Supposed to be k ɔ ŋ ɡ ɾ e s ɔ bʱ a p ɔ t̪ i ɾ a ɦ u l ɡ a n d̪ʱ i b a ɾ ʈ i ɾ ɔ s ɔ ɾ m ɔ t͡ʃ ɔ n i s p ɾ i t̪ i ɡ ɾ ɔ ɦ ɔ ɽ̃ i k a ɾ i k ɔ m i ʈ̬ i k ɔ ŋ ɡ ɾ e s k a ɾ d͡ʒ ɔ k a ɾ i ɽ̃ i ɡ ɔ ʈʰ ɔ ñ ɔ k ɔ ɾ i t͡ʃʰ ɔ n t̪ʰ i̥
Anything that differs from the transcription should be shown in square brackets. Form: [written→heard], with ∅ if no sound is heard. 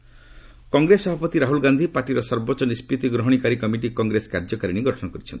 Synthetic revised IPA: k ɔ ŋ ɡ ɾ e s ɔ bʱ a p ɔ t̪ i ɾ a ɦ u l ɡ a n d̪ʱ i [b→p] a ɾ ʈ i ɾ ɔ s ɔ ɾ [m→b] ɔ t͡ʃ ɔ n i s p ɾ i t̪ i ɡ ɾ ɔ ɦ ɔ ɽ̃ i k a ɾ i k ɔ m i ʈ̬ i k ɔ ŋ ɡ ɾ e s k a ɾ d͡ʒ ɔ k a ɾ i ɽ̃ i ɡ ɔ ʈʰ ɔ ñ ɔ k ɔ ɾ i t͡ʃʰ ɔ n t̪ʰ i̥